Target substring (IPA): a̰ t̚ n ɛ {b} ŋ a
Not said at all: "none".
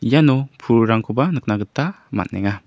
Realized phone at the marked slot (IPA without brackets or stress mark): none